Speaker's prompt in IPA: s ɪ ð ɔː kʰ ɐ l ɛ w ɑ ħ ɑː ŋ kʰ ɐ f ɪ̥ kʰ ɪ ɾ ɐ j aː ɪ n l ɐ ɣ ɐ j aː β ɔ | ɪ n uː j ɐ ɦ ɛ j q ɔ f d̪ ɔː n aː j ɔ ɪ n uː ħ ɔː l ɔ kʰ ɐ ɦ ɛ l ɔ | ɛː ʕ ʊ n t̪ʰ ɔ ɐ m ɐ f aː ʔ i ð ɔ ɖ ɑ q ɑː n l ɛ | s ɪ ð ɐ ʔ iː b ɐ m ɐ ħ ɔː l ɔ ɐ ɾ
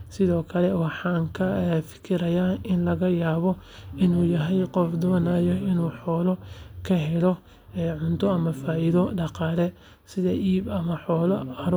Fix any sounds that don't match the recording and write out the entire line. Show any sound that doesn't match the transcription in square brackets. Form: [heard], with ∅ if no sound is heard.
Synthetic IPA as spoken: s ɪ ð ɔː kʰ ɐ l ɛ w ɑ ħ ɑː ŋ kʰ ɐ f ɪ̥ kʰ ɪ ɾ ɐ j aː ɪ n l ɐ ɣ ɐ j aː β ɔ | ɪ n uː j ɐ ɦ ɛ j q ɔ f d̪ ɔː n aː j ɔ ɪ n uː ħ ɔː l ɔ kʰ ɐ ɦ ɛ l ɔ | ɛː ʕ ʊ n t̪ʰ ɔ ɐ m ɐ f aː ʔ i ð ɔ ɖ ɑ q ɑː [∅] l ɛ | s ɪ ð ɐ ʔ iː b ɐ m ɐ ħ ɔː l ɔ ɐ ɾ